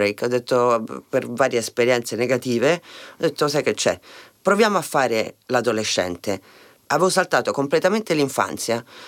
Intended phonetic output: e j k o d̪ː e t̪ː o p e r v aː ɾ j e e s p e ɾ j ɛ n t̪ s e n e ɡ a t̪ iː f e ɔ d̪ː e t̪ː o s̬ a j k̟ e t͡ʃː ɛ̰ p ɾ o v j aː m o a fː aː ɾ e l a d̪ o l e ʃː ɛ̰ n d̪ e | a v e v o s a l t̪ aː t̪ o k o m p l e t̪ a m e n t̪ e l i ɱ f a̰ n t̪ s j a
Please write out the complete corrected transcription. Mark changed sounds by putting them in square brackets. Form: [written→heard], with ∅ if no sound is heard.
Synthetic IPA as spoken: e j k [o→ɔ] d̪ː e t̪ː o p e r v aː ɾ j e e s p e ɾ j ɛ n t̪ s e n e ɡ a t̪ iː [f→v] e ɔ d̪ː e t̪ː o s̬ a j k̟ e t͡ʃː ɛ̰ p ɾ o v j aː m o a fː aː ɾ e l a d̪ o l e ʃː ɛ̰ n [d̪→t̪] e | a v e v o s a l t̪ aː t̪ o k o m p l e t̪ a m e n t̪ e l i ɱ f a̰ n t̪ s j a